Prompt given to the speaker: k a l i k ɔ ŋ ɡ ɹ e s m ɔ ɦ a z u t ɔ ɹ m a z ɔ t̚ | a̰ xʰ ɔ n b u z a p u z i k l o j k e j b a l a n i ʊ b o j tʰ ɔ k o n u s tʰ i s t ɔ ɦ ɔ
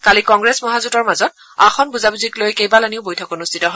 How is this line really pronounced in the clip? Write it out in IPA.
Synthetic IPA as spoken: k a l i k ɔ ŋ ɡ ɹ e s m ɔ ɦ a z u t ɔ ɹ m a z ɔ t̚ | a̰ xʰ ɔ n b u z a b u z i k l o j k e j b a l a n i ʊ b o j tʰ ɔ k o n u s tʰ i t ɔ ɦ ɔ